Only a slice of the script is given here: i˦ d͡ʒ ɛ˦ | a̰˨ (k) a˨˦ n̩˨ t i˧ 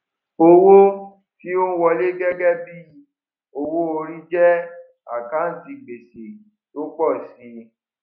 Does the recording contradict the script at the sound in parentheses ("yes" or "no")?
no